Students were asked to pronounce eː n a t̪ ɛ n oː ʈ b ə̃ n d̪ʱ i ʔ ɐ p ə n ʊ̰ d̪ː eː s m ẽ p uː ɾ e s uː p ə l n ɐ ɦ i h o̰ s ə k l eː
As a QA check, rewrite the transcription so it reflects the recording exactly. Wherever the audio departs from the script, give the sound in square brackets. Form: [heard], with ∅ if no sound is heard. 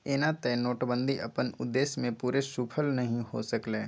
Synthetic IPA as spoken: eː n a t̪ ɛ n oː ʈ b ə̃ n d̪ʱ i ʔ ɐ p ə n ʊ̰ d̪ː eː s m ẽ p uː ɾ e s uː [pʰ] ə l n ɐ ɦ [ĩ] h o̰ s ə k l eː